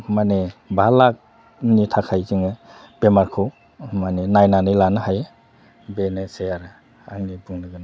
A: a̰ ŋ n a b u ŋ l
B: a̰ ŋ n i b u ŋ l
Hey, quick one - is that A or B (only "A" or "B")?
B